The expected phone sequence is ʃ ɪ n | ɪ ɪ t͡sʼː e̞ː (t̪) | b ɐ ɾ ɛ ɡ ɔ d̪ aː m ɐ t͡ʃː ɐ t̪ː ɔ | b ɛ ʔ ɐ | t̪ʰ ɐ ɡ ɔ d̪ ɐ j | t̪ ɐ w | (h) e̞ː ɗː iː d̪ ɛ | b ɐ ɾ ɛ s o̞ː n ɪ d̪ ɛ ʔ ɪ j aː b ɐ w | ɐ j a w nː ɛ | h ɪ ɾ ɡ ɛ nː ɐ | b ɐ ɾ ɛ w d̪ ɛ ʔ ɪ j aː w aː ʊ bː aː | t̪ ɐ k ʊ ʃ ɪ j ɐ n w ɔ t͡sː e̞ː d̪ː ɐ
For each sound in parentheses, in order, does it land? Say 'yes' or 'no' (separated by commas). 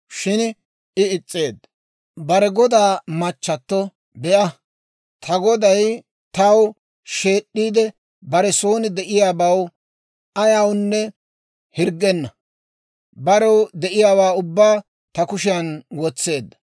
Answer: no, no